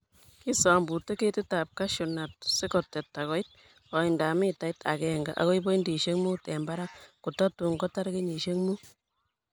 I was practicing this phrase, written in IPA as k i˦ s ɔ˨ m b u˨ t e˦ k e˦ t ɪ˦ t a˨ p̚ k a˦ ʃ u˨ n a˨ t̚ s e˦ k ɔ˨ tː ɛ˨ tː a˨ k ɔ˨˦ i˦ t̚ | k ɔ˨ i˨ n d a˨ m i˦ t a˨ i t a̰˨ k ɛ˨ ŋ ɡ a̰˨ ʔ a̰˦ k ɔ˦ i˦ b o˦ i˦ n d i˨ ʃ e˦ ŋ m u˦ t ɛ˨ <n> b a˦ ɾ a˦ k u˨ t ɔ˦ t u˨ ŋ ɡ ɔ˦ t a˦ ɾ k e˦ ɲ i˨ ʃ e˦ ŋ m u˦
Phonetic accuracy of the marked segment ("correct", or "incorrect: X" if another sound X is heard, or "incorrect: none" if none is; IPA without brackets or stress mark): incorrect: m